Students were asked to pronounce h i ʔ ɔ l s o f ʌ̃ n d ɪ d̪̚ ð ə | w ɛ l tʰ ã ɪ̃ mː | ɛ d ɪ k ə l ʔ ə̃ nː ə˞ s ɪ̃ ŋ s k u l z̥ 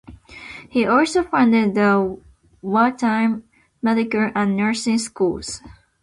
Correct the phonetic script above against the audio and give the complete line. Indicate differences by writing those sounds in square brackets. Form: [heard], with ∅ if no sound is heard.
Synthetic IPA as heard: h i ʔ ɔ l s o f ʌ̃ n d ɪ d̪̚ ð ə | w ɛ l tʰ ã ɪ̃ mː | ɛ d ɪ k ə l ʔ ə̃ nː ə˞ s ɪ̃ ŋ s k u l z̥

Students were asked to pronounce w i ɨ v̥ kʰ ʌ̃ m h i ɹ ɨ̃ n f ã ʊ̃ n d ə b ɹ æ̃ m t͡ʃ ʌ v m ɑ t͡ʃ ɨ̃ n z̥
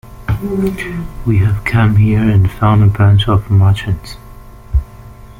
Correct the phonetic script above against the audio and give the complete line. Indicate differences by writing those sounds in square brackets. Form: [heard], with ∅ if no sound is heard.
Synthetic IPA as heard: w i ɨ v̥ kʰ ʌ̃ m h i ɹ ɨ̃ n f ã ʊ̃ n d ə b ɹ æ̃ [n] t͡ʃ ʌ v m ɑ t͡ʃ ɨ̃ n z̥

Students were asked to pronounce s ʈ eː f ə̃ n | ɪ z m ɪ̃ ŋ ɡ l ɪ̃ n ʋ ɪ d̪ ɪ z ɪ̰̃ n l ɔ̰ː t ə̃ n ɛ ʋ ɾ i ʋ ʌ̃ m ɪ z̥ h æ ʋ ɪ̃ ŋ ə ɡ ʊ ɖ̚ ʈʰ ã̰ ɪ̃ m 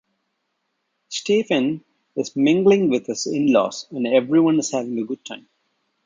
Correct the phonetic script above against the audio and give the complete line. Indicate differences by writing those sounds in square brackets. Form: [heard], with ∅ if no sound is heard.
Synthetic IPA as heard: s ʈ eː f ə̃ n | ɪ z m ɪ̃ ŋ ɡ l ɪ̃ [ŋ] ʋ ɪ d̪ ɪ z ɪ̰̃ n l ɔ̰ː [s] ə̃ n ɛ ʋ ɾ i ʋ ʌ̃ [n] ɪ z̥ h æ ʋ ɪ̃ ŋ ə ɡ ʊ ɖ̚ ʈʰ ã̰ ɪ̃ m

